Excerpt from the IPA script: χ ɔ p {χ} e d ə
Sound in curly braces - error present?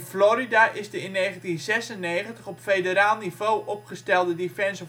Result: yes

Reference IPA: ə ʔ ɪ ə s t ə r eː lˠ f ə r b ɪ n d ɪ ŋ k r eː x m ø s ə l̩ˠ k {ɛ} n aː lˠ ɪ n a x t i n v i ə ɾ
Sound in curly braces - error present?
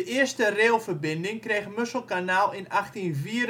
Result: yes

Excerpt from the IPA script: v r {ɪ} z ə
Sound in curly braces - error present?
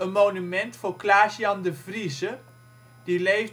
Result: yes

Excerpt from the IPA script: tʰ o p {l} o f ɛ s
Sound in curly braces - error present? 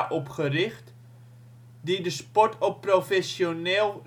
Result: yes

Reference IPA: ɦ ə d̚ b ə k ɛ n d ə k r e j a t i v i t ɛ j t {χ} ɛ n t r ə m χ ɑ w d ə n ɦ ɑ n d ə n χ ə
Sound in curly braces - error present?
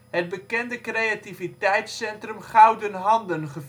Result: yes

